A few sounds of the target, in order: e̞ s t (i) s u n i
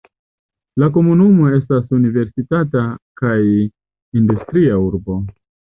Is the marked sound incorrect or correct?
incorrect